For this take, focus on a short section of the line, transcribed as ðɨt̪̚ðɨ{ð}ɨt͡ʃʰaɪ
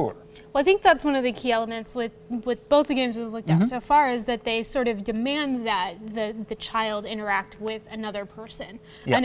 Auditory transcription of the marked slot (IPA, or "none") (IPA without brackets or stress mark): ð